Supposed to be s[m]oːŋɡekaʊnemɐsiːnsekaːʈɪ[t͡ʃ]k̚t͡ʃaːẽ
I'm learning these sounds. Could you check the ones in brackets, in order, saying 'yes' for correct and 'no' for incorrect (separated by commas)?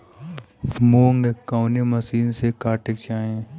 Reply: yes, no